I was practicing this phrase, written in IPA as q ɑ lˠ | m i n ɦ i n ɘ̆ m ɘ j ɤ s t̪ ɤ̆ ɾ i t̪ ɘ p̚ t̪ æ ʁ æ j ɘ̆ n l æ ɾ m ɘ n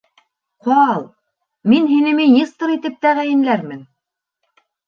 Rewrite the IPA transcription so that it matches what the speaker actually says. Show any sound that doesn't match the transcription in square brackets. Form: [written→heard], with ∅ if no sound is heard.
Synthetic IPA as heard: q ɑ lˠ | m i n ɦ i n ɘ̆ m ɘ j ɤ s t̪ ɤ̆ ɾ i t̪ ɘ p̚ t̪ æ ʁ æ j ɘ̆ n l æ ɾ m ɘ n